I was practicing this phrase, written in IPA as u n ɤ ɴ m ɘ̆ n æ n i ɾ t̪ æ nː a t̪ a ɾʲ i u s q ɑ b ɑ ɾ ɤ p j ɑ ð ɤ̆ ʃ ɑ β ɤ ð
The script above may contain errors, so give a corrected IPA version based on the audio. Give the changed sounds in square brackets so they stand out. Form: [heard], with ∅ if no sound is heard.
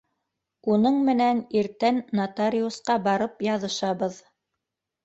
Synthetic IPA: u n ɤ ɴ m ɘ̆ n æ n i ɾ t̪ æ nː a t̪ a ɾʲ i u s q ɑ b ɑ ɾ ɤ p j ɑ ð ɤ̆ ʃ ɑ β ɤ ð